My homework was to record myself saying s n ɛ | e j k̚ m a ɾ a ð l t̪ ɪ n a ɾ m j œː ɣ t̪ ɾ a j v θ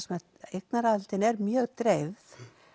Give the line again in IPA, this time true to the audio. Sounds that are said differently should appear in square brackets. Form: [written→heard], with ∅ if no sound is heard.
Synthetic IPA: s [n→m] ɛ | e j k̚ [m→n] a ɾ a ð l t̪ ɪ n [a→ɛ] ɾ m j œː ɣ t̪ ɾ [a→e] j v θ